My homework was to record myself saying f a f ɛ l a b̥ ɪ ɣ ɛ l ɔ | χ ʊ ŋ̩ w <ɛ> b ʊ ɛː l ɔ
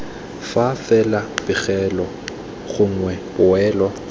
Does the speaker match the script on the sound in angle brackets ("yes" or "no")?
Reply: yes